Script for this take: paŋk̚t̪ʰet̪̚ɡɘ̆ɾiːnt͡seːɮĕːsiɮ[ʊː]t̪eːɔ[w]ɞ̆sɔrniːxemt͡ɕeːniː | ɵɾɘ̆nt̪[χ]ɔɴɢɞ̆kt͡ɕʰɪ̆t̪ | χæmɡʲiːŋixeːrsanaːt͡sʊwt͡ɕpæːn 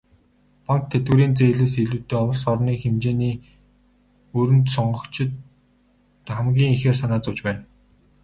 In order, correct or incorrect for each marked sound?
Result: incorrect, correct, incorrect

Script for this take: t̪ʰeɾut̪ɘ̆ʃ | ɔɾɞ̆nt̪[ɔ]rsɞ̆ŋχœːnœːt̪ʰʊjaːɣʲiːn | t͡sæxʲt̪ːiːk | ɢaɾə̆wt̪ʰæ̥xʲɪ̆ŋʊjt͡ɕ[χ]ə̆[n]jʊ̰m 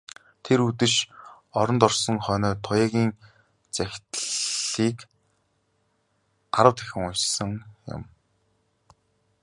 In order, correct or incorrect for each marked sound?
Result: correct, incorrect, incorrect

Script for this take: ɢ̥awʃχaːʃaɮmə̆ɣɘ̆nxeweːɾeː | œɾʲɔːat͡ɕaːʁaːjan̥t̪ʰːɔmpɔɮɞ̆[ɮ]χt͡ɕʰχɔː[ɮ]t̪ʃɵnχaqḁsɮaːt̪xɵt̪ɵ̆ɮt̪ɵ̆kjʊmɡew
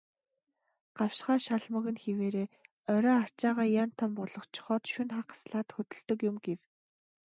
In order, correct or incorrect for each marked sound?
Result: incorrect, incorrect

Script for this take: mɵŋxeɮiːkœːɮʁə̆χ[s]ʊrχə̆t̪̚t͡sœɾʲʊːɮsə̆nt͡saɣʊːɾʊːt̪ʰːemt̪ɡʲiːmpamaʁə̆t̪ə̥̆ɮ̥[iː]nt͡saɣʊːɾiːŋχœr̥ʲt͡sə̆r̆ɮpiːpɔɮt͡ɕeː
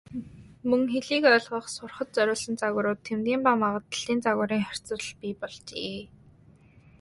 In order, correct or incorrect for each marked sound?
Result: correct, correct

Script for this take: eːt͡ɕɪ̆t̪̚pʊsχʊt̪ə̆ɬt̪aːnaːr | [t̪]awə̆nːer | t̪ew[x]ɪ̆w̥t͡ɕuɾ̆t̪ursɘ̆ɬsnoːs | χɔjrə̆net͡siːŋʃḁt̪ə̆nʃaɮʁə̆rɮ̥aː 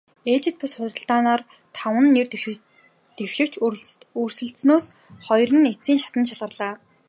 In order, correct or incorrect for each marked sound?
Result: incorrect, incorrect

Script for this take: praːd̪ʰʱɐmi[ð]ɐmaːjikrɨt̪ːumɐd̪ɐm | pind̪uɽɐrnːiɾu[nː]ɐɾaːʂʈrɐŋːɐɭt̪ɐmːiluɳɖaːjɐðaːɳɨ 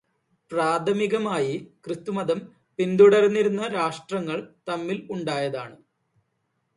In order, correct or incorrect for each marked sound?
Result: incorrect, correct

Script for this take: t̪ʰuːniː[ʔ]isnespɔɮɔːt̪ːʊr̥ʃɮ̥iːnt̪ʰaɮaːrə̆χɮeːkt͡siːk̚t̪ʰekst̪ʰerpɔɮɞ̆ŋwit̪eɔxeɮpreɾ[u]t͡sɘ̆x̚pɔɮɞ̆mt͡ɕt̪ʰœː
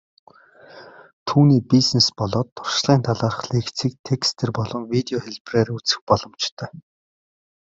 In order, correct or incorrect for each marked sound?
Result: incorrect, correct

